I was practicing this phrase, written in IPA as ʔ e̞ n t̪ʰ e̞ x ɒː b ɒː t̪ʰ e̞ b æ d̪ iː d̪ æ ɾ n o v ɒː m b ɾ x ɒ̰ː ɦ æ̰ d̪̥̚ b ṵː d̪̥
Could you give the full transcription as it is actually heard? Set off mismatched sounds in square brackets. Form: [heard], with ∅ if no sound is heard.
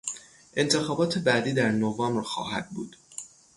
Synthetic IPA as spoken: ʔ e̞ n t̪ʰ e̞ x ɒː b ɒː t̪ʰ e̞ b æ d̪ iː d̪ æ ɾ n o v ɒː m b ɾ x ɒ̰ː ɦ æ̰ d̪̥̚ b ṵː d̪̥